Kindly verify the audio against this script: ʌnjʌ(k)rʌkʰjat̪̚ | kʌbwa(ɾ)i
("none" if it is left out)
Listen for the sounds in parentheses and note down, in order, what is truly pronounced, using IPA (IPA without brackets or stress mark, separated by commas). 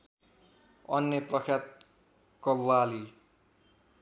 p, l